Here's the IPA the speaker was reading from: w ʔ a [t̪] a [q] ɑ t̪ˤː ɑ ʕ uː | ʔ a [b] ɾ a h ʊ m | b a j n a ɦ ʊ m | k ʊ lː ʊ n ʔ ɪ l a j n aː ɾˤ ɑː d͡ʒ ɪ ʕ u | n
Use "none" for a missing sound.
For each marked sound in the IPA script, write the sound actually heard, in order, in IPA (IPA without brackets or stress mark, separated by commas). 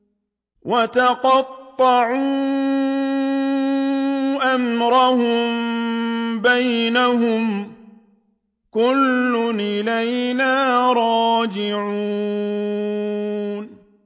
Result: t̪, q, m